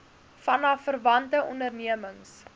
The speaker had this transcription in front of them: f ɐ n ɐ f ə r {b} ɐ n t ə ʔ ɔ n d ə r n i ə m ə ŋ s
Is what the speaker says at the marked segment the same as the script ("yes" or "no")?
no